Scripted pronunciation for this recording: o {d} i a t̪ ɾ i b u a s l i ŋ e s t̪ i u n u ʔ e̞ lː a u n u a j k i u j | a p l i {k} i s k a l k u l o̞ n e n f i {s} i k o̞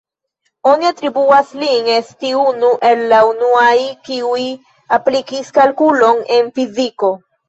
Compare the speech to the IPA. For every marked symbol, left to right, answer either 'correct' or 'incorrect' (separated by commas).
incorrect, correct, incorrect